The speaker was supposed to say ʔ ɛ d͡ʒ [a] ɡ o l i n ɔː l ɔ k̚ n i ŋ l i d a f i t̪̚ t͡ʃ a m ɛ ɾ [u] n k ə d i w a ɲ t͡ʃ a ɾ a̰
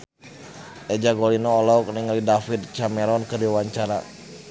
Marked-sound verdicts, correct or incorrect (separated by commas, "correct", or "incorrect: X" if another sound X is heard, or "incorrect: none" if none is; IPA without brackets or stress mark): correct, incorrect: ɔ